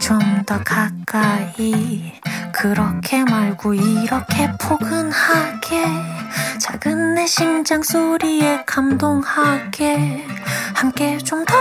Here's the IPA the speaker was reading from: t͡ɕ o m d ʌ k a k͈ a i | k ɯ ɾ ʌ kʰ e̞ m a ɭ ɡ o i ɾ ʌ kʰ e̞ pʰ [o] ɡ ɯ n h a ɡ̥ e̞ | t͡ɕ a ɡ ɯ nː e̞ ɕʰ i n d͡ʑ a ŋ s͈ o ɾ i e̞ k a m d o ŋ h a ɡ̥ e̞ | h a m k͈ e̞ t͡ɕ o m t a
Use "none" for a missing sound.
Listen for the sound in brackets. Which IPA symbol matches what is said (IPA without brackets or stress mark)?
o